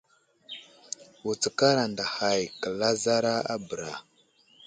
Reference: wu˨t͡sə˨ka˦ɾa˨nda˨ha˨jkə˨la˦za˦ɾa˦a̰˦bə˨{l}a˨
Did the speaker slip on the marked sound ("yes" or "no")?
yes